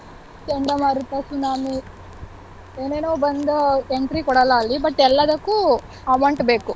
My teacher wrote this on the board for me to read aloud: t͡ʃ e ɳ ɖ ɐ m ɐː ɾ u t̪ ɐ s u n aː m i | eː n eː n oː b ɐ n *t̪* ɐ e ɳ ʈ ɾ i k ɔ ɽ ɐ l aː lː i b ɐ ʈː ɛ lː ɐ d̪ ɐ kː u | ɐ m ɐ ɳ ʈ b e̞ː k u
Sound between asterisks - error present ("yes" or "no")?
yes